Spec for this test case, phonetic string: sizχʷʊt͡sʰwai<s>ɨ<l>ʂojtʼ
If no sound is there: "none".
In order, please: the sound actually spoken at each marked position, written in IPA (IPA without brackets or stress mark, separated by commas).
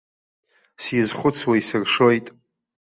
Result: s, r